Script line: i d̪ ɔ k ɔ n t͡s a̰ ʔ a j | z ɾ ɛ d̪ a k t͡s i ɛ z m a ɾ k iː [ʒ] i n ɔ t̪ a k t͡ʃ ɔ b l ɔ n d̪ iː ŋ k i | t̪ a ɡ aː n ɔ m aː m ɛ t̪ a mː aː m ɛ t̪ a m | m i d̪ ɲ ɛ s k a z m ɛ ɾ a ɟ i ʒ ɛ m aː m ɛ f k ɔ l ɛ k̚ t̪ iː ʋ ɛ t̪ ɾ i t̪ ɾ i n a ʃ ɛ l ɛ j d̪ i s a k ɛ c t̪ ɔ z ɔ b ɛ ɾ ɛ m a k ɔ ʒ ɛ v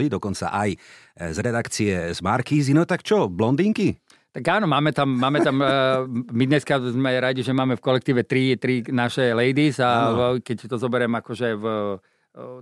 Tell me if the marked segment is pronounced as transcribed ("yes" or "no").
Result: no